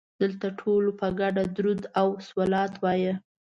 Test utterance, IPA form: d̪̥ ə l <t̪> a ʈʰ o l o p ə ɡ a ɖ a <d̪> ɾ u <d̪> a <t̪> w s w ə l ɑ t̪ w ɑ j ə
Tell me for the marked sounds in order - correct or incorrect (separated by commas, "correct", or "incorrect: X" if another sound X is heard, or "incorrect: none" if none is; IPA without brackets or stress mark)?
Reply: correct, correct, correct, incorrect: none